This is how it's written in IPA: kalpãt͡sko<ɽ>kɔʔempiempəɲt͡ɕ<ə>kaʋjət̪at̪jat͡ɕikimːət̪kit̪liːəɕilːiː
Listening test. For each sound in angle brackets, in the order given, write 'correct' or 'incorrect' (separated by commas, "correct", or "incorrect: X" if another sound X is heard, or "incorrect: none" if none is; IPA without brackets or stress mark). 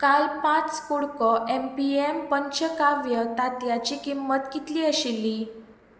correct, correct